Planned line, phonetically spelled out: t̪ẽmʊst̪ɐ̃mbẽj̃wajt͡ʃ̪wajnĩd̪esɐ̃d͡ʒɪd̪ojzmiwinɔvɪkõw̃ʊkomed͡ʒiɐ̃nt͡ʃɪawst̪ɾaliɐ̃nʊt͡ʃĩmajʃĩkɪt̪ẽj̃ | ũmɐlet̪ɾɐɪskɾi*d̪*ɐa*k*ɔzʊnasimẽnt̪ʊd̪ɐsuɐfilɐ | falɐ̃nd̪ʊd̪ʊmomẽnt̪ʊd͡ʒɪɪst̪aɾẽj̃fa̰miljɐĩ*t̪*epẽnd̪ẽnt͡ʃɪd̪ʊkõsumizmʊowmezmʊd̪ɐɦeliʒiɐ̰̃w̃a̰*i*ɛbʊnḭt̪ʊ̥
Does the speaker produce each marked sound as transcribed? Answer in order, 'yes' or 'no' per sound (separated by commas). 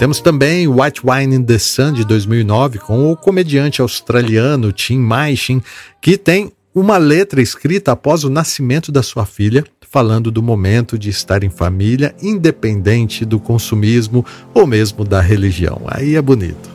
no, no, no, yes